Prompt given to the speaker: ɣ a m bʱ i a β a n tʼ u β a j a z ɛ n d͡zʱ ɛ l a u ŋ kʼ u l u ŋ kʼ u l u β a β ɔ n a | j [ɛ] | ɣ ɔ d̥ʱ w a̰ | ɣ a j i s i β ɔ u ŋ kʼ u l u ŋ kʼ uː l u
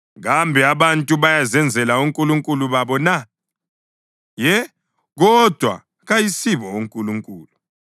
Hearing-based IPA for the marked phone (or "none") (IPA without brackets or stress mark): ɛ